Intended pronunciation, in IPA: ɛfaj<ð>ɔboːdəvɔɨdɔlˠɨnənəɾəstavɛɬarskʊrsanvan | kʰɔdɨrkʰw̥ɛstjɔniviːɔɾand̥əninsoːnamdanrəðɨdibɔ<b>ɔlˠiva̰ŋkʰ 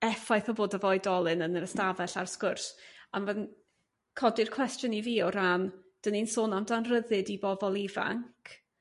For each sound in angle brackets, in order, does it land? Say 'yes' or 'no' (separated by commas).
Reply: no, no